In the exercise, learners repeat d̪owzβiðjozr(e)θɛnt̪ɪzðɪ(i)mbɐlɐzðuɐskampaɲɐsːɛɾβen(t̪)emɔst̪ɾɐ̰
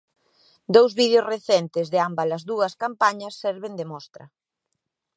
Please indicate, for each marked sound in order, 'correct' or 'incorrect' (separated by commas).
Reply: correct, incorrect, incorrect